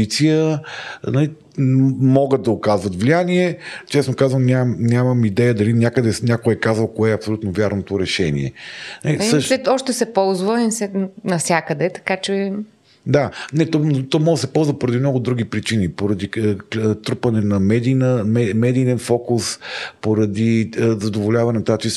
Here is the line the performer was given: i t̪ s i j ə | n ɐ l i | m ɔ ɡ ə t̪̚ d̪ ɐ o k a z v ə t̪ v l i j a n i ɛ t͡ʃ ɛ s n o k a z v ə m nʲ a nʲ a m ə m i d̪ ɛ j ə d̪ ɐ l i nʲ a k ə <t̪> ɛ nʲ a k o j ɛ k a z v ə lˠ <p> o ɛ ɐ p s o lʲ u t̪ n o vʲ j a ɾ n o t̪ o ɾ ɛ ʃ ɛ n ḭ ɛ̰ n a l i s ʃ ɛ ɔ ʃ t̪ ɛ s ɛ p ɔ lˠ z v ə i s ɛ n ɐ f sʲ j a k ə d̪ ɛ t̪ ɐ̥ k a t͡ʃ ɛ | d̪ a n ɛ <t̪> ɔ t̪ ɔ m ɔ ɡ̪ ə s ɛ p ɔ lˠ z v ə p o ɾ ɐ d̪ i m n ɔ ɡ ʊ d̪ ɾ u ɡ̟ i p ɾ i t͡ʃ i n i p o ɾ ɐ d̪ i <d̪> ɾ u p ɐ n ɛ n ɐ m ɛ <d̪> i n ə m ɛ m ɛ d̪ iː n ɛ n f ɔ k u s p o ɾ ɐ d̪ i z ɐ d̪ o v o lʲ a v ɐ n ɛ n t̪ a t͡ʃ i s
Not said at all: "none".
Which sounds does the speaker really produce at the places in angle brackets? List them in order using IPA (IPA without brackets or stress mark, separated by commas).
d̪, k, t̪, t̪, d̪